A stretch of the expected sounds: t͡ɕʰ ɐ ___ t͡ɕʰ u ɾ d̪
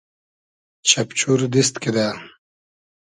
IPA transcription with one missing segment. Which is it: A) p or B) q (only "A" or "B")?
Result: A